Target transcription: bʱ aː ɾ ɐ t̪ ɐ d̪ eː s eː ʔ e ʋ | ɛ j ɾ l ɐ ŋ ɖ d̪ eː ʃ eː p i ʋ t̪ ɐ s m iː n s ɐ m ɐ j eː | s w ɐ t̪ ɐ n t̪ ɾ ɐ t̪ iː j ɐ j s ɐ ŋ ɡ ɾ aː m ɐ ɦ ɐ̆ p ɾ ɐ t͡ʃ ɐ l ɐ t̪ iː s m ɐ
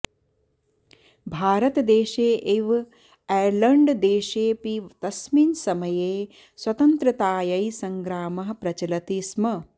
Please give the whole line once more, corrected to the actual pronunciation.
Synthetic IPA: bʱ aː ɾ ɐ t̪ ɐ d̪ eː ʃ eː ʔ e ʋ | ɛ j ɾ l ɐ ɳ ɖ d̪ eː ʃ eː p i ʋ t̪ ɐ s m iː n s ɐ m ɐ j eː | s w ɐ t̪ ɐ n t̪ ɾ ɐ t̪ aː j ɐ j s ɐ ŋ ɡ ɾ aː m ɐ ɦ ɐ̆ p ɾ ɐ t͡ʃ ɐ l ɐ t̪ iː s m ɐ

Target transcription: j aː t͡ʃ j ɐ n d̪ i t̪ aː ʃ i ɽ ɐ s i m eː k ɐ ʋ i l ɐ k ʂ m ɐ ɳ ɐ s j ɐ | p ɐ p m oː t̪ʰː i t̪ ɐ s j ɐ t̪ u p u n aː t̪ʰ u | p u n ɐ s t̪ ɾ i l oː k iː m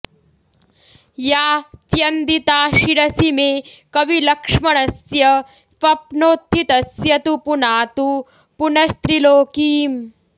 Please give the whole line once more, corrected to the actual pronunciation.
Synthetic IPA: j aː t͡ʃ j ɐ n d̪ i t̪ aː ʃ i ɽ ɐ s i m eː k ɐ ʋ i l ɐ k ʂ m ɐ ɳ ɐ s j ɐ | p ɐ p n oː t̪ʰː i t̪ ɐ s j ɐ t̪ u p u n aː t̪ u | p u n ɐ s t̪ ɾ i l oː k iː m

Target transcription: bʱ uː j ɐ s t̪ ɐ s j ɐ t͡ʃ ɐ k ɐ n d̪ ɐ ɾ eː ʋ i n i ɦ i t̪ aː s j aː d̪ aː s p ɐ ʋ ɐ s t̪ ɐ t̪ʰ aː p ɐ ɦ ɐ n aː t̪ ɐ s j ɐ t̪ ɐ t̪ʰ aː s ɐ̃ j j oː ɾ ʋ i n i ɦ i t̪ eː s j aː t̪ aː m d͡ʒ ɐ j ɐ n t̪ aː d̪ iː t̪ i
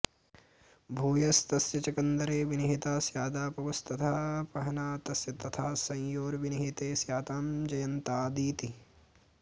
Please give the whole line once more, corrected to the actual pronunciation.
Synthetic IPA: bʱ uː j ɐ s t̪ ɐ s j ɐ t͡ʃ ɐ k ɐ n d̪ ɐ ɾ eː ʋ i n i ɦ i t̪ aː s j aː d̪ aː p ɐ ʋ ɐ s t̪ ɐ t̪ʰ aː p ɐ ɦ ɐ n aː t̪ ɐ s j ɐ t̪ ɐ t̪ʰ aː s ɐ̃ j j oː ɾ ʋ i n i ɦ i t̪ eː s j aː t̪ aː m d͡ʒ ɐ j ɐ n t̪ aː d̪ iː t̪ i

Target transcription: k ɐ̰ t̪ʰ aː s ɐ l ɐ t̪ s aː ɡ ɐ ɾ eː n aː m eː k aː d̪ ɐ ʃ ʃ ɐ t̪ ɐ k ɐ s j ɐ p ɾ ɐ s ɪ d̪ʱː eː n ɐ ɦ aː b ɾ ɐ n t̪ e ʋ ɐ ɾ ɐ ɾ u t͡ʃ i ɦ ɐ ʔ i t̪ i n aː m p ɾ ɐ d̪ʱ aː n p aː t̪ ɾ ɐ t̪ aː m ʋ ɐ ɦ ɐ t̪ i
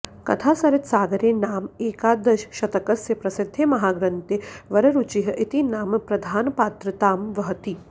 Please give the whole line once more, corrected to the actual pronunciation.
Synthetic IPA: k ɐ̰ t̪ʰ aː s ɐ ɾ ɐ t̪ s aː ɡ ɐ ɾ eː n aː m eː k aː d̪ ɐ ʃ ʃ ɐ t̪ ɐ k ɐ s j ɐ p ɾ ɐ s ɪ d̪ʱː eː m ɐ ɦ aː ɡ ɾ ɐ n t̪ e ʋ ɐ ɾ ɐ ɾ u t͡ʃ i ɦ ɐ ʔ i t̪ i n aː m p ɾ ɐ d̪ʱ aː n p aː t̪ ɾ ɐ t̪ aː m ʋ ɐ ɦ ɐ t̪ i

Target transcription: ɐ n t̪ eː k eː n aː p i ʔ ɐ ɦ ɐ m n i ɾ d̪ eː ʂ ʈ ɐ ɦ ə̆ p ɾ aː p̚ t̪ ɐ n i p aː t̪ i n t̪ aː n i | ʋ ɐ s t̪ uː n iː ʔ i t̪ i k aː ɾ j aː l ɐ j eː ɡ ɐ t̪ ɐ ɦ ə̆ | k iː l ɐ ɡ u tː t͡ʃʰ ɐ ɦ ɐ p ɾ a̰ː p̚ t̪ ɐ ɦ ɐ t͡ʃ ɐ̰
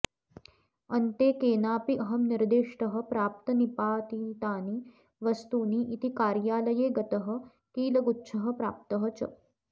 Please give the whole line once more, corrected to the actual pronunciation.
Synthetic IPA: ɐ n t̪ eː k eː n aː p i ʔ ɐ ɦ ɐ m n i ɾ d̪ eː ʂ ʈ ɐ ɦ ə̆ p ɾ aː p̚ t̪ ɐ n i p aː t̪ i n t̪ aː n i | ʋ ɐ s t̪ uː n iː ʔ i t̪ i k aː ɾ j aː l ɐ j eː ɡ ɐ t̪ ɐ ɦ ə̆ | k iː l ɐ ɡ u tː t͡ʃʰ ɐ ɦ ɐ p ɾ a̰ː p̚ t̪ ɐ ɦ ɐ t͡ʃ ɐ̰

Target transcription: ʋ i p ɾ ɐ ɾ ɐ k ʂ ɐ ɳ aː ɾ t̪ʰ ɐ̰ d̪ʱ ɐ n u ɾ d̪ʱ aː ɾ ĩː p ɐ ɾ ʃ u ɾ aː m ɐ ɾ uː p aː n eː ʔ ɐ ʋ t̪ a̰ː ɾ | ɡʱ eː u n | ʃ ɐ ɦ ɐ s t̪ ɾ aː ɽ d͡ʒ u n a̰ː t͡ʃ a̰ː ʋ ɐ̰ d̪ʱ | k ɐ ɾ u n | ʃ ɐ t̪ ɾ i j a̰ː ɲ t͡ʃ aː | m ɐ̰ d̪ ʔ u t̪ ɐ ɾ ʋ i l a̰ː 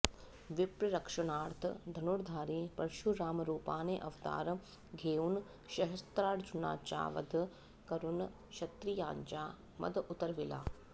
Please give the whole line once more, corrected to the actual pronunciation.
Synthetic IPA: ʋ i p ɾ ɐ ɾ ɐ k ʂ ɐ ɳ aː ɾ t̪ʰ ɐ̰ d̪ʱ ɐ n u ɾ d̪ʱ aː ɾ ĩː p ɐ ɾ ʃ u ɾ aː m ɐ ɾ uː p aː n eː ʔ ɐ ʋ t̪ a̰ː ɾ | ɡʱ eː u n | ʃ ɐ ɦ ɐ s t̪ ɾ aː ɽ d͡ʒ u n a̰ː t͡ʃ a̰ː ʋ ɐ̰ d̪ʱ | k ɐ ɾ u n | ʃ ɐ t̪ ɾ i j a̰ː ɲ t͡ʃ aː | m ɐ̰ d̪ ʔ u t̪ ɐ ɾ ʋ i l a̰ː

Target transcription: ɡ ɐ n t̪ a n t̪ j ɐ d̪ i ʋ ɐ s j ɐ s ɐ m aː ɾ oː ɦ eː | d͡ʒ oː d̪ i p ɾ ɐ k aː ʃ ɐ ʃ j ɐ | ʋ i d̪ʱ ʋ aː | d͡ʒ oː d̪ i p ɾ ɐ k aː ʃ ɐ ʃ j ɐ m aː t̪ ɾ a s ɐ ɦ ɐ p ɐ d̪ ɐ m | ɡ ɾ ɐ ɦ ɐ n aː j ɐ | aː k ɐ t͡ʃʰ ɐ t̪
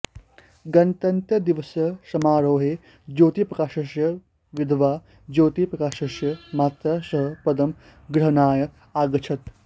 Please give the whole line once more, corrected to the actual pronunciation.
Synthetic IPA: ɡ ɐ n t̪ ɐ n t̪ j ɐ d̪ i ʋ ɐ s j ɐ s ɐ m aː ɾ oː ɦ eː | d͡ʒ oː t̪ i p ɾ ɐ k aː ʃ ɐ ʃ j ɐ | ʋ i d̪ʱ ʋ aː | d͡ʒ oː t̪ i p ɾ ɐ k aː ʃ ɐ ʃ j ɐ m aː t̪ ɾ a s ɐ ɦ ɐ p ɐ d̪ ɐ m | ɡ ɾ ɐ ɦ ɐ n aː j ɐ | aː ɡ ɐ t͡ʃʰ ɐ t̪

